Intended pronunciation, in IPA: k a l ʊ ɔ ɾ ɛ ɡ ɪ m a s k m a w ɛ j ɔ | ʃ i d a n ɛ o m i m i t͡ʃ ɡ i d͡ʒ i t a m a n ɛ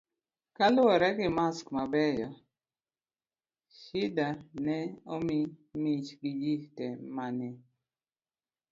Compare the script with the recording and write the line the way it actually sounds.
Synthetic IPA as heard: k a l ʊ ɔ ɾ ɛ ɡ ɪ m a s k m a b ɛ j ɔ | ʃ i d a n ɛ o m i m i t͡ʃ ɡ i d͡ʒ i t ɛ m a n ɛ